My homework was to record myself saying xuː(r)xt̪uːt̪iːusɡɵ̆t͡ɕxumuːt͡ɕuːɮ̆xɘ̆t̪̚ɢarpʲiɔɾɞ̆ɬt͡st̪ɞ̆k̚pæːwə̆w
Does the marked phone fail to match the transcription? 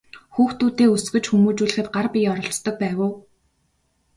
yes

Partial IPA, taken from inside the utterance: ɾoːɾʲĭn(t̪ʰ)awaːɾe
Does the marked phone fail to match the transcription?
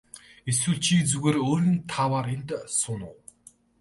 no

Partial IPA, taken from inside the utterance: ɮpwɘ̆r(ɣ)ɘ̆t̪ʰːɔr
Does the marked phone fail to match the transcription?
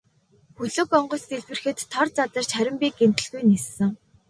yes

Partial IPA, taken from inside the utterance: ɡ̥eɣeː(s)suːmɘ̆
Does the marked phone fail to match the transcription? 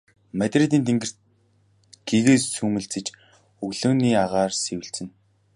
no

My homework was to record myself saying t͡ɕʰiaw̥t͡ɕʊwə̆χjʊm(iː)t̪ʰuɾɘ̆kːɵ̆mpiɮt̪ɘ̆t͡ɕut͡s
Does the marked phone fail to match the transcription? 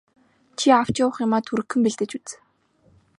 yes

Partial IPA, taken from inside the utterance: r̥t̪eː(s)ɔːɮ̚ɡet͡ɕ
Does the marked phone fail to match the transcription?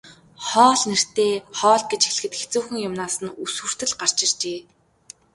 yes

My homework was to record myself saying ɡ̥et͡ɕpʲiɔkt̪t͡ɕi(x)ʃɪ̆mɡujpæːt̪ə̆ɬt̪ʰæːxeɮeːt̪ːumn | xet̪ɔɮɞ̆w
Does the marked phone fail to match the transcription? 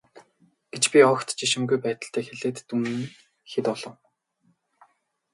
yes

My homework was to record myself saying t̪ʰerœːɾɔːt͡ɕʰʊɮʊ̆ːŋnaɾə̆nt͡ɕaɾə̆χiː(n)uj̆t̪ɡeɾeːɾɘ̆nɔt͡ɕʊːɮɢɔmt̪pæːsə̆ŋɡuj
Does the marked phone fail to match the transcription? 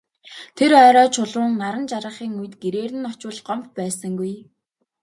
yes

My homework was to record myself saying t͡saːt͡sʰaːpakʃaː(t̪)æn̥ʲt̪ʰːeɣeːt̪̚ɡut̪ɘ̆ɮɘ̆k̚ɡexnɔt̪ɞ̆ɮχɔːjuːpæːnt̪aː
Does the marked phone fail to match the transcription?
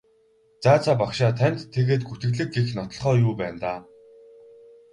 yes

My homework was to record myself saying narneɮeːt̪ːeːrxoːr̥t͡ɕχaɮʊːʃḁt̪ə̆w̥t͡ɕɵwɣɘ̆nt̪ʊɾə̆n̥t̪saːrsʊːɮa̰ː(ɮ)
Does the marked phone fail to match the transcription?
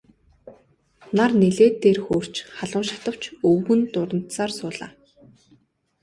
yes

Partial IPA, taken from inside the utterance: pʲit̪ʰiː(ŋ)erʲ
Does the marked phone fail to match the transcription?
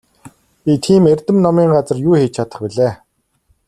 yes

